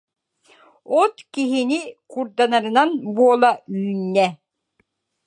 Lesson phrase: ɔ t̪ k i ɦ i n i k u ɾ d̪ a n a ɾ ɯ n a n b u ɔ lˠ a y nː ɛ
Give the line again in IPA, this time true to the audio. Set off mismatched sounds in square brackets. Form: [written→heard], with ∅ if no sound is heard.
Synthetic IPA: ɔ t̪ k i ɦ i n i k u ɾ d̪ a n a ɾ ɯ n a n b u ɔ lˠ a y nː ɛ